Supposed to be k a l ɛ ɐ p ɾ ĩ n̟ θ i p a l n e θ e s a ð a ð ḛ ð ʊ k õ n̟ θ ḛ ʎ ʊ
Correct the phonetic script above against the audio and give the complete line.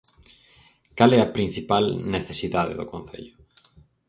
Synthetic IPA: k a l ɛ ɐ p ɾ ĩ n̟ θ i p a l n e θ e s i ð a ð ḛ ð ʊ k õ n̟ θ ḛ ʎ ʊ